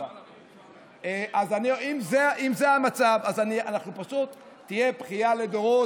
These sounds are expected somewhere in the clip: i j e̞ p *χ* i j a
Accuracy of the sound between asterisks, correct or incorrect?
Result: correct